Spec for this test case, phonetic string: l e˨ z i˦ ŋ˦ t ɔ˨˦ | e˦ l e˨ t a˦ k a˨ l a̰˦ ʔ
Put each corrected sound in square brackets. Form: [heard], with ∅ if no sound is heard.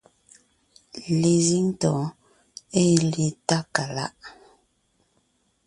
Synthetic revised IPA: l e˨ z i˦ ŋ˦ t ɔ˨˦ | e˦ l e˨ t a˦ k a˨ l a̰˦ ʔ